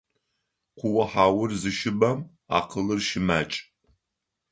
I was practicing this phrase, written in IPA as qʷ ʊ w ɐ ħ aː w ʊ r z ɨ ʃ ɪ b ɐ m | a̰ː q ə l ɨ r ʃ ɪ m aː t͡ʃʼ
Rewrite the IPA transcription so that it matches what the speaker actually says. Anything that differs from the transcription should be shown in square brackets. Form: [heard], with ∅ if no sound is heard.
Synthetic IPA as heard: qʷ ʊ w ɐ ħ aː w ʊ r z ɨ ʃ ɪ b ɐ m | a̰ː q ə l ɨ r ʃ ɪ m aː t͡ʃʼ